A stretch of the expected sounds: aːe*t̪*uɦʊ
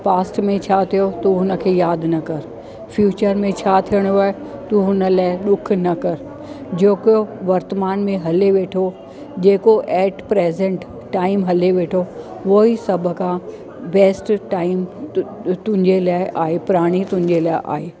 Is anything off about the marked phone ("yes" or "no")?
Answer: no